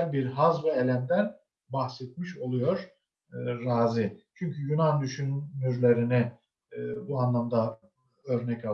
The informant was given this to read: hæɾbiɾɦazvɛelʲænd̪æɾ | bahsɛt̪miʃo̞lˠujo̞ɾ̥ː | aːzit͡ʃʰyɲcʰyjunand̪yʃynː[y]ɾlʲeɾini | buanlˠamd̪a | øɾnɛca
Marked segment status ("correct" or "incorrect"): correct